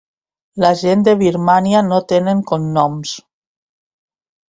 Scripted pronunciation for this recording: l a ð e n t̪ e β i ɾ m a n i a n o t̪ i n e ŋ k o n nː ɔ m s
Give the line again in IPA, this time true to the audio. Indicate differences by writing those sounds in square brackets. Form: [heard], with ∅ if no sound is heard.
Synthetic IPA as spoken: l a [ʒ] e n [d̪] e β i ɾ m a n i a n o t̪ [e] n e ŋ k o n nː ɔ m s